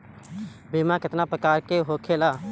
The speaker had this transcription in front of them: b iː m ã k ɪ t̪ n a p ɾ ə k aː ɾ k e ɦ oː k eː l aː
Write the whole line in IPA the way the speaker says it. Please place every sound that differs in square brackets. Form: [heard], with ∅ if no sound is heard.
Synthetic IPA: b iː m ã k ɪ t̪ n a p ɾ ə k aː ɾ k e ɦ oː [kʰ] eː l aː